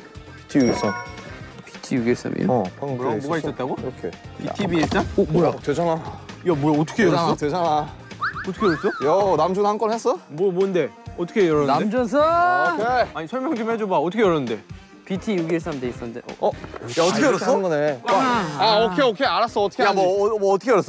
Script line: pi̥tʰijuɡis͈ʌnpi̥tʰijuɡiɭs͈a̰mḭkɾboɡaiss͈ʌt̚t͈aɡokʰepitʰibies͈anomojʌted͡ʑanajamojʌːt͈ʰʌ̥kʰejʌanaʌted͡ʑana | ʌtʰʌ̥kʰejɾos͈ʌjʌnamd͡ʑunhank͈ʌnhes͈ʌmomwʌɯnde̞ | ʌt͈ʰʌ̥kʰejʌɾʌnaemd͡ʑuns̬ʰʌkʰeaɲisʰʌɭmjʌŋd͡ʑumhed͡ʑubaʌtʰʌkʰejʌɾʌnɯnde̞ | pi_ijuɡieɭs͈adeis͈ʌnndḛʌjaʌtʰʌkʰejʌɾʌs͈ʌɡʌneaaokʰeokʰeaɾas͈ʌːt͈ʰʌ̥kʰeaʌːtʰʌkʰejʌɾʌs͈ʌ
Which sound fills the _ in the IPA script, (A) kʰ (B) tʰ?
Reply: B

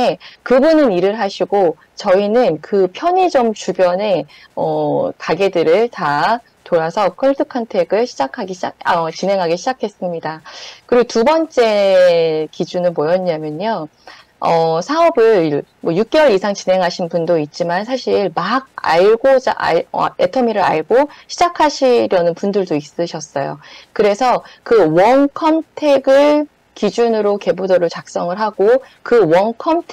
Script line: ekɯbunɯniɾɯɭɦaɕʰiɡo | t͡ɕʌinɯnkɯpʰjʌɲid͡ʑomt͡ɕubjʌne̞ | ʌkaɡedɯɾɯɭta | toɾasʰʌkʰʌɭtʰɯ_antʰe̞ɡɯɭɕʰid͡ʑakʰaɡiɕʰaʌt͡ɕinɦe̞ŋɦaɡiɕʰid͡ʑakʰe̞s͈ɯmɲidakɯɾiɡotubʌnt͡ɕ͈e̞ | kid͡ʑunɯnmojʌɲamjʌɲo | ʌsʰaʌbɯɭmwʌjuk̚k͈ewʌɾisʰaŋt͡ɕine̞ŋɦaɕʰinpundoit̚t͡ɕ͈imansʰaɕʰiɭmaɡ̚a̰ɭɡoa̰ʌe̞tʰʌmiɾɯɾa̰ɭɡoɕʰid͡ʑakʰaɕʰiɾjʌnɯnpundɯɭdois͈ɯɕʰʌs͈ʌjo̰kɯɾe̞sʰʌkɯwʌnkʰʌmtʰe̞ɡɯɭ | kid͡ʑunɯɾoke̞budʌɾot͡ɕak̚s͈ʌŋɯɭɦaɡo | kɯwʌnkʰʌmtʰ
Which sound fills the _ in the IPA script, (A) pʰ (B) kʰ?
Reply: B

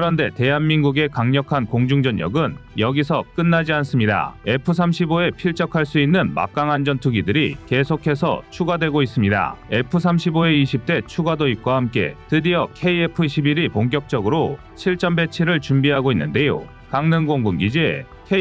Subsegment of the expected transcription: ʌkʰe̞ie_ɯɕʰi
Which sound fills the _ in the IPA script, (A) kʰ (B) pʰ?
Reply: B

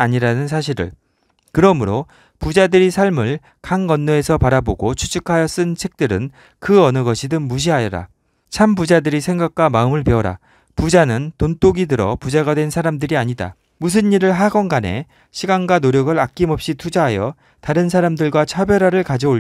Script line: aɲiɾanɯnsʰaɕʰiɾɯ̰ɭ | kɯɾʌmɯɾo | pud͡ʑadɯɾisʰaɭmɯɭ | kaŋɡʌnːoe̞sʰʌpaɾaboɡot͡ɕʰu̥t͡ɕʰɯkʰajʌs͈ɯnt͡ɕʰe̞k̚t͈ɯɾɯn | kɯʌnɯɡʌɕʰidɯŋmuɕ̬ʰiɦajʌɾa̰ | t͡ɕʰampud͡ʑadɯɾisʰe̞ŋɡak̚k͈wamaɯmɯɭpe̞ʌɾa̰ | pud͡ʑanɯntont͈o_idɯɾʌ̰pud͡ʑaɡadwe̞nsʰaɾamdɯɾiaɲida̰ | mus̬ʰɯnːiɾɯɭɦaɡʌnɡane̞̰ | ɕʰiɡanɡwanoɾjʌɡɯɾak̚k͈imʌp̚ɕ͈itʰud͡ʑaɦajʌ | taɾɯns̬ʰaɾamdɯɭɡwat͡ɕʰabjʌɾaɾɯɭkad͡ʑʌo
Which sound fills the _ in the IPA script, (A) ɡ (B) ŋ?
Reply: A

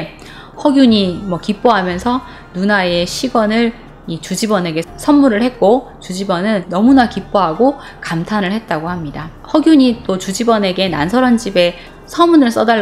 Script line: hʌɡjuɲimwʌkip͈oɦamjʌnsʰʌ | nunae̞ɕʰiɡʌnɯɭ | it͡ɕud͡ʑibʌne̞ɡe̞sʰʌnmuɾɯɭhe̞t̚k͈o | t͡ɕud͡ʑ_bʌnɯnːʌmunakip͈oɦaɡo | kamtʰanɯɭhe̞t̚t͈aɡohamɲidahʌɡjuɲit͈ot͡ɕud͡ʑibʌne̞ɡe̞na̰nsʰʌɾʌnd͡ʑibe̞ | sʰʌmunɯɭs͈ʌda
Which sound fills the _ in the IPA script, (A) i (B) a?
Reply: A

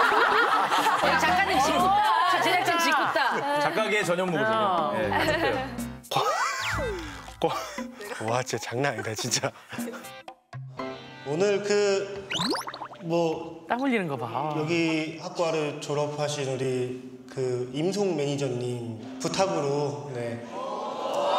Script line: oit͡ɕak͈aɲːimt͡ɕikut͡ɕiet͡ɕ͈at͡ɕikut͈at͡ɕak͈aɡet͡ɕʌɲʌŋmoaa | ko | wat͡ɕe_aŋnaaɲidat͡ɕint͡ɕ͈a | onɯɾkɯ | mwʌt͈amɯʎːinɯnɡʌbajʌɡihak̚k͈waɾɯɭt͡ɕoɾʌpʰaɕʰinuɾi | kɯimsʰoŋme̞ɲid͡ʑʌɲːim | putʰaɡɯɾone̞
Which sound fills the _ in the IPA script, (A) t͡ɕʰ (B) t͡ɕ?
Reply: B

